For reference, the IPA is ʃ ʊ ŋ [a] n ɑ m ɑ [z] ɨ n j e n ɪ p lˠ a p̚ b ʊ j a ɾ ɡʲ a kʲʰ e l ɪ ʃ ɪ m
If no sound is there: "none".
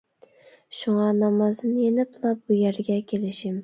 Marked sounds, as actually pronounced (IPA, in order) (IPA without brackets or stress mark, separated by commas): ɑ, z